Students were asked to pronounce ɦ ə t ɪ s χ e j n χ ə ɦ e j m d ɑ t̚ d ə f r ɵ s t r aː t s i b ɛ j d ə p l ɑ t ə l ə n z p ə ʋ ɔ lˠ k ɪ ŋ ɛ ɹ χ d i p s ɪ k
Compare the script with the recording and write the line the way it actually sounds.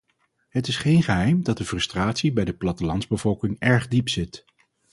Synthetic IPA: ɦ ə t ɪ s χ e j n χ ə ɦ ɛ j m d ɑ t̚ d ə f r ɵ s t r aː t s i b ɛ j d ə p l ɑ t ə l ɑ n z b ə v ɔ lˠ k ɪ ŋ ɛ ɹ χ d i p s ɪ t